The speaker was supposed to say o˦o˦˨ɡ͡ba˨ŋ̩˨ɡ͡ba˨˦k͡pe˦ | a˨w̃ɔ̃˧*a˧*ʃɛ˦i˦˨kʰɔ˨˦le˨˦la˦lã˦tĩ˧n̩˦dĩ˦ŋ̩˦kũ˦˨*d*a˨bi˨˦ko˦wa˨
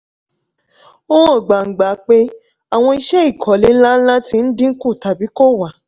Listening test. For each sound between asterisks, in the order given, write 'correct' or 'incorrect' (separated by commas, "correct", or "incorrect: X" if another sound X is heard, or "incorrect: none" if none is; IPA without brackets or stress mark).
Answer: incorrect: i˧, incorrect: t